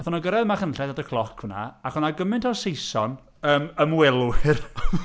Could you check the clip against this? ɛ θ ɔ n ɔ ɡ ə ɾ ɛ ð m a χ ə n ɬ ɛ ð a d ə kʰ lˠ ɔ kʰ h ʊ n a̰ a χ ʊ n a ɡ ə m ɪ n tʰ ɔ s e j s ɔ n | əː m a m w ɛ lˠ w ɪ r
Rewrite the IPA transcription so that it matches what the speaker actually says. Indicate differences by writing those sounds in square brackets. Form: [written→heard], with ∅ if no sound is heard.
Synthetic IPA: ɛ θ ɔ n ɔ ɡ ə ɾ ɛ ð m a χ ə n ɬ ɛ ð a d ə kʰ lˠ ɔ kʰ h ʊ n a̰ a χ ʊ n a ɡ ə m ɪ n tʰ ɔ s e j s ɔ n | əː m [a→ə] m w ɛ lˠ w ɪ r